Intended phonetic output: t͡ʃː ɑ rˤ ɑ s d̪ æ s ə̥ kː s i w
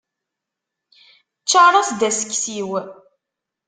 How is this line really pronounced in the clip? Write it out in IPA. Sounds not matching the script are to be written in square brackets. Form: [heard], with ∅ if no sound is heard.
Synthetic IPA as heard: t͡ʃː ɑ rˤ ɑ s d̪ æ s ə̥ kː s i w